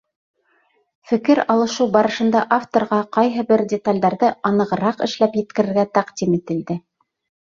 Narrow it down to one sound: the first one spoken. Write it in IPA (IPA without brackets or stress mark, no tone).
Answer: f